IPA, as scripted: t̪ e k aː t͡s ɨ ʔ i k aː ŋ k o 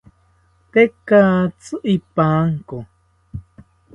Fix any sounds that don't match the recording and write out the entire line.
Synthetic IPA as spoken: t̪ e k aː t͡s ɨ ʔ i p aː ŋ k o